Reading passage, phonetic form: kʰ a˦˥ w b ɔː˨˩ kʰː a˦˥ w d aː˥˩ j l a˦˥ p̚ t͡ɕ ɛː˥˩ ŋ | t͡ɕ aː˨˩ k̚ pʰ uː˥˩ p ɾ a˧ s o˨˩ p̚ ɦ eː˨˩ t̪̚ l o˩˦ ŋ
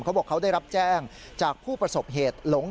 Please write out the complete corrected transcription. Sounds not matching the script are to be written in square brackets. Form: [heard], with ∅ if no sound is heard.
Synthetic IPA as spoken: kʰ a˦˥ w b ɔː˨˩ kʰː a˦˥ w d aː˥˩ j [ɾ] a˦˥ p̚ t͡ɕ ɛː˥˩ ŋ | t͡ɕ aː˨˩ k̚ pʰ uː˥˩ p ɾ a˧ s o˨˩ p̚ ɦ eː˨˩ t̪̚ l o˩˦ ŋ